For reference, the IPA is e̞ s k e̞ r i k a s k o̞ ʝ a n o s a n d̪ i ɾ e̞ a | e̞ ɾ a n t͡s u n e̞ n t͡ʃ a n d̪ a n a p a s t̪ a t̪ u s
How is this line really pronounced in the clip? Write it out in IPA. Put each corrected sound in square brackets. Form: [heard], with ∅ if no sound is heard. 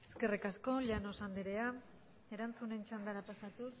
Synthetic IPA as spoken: e̞ s k e̞ r i k a s k o̞ [ʎ] a n o s a n d̪ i ɾ e̞ a | e̞ ɾ a n t͡s u n e̞ n t͡ʃ a n d̪ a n a p a s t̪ a t̪ u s